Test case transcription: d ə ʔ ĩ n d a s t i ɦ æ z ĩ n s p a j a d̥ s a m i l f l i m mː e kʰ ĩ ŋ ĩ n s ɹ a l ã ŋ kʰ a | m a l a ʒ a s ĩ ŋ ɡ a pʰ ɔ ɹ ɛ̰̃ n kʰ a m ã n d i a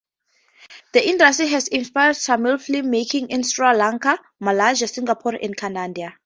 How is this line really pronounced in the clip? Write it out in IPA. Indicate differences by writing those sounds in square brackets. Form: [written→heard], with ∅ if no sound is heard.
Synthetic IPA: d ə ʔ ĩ n d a s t i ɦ [æ→ɛ] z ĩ n s p a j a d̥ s a m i l f l i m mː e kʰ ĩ ŋ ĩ n s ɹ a l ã ŋ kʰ a | m a l a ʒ a s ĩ ŋ ɡ a pʰ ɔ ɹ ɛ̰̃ n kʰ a [m→n] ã n d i a